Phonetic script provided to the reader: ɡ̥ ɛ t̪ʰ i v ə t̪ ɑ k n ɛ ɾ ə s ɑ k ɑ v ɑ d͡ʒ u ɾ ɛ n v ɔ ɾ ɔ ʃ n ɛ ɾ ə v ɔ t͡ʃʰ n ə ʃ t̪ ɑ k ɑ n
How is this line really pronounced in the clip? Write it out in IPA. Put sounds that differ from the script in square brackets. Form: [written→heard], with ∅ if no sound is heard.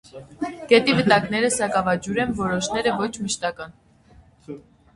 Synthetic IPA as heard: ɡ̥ ɛ [t̪ʰ→t̪] i v ə t̪ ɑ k n ɛ ɾ ə s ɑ k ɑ v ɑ d͡ʒ u ɾ ɛ n v ɔ ɾ ɔ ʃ n ɛ ɾ ə v ɔ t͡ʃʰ [n→m] ə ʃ t̪ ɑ k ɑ n